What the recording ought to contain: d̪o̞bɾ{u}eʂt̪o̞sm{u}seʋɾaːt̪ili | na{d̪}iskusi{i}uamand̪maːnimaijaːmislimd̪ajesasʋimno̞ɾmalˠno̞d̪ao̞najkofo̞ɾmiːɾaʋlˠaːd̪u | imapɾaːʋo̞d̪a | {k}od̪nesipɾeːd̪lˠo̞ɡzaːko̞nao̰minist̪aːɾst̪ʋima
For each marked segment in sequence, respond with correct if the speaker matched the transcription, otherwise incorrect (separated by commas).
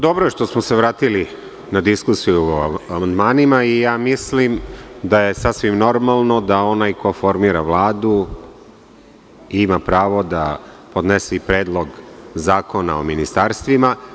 incorrect, incorrect, correct, incorrect, incorrect